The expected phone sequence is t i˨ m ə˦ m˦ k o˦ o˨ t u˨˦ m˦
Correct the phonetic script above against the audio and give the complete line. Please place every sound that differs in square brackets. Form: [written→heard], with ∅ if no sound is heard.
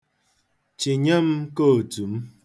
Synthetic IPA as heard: [t→t͡ʃ] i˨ [m→ɲ] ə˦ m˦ k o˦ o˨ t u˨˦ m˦